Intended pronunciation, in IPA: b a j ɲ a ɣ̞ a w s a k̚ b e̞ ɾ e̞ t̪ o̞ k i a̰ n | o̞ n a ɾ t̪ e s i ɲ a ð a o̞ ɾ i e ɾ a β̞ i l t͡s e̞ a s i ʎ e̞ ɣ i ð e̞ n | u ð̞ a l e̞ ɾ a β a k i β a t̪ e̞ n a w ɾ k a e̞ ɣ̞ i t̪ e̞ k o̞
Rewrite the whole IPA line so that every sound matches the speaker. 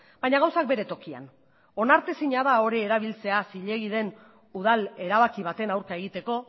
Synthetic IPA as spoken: b a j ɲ a ɣ̞ a w s a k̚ b e̞ ɾ e̞ t̪ o̞ k i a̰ n | o̞ n a ɾ t̪ e s i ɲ a ð a o̞ ɾ i e ɾ a β̞ i l t͡s e̞ a s i ʎ e̞ ɣ i ð e̞ n | u ð̞ a l e̞ ɾ a β a k i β a t̪ e̞ n a w ɾ k a e̞ ɣ̞ i t̪ e̞ k o̞